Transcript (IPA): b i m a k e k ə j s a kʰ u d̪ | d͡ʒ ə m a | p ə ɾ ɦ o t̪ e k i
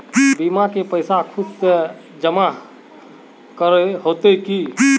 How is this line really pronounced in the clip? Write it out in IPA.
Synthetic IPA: b i m a k e p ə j s a kʰ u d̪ | d͡ʒ ə m a | k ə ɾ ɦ o t̪ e k i